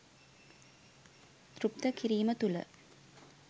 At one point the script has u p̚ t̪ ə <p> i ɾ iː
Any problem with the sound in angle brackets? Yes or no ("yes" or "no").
yes